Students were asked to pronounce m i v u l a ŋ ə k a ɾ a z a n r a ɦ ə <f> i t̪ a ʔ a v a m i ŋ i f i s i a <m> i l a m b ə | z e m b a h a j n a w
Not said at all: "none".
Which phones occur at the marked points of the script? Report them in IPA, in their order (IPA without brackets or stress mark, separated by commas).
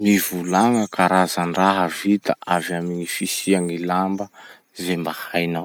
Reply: v, ŋ